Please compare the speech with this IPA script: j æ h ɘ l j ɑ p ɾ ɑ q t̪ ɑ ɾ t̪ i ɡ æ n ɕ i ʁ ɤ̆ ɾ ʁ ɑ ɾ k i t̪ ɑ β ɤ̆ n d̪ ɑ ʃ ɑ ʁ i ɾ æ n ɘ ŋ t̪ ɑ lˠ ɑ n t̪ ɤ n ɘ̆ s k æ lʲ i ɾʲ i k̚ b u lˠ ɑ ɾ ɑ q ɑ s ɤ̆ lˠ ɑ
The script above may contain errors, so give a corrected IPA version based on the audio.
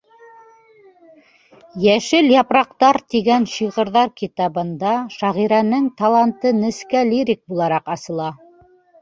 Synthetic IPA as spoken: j æ ʃ ɘ l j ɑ p ɾ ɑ q t̪ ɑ ɾ t̪ i ɡ æ n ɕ i ʁ ɤ̆ ɾ ð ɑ ɾ k i t̪ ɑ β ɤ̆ n d̪ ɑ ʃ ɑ ʁ i ɾ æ n ɘ ŋ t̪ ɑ lˠ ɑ n t̪ ɤ n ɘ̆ s k æ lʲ i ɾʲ i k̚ b u lˠ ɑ ɾ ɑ q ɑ s ɤ̆ lˠ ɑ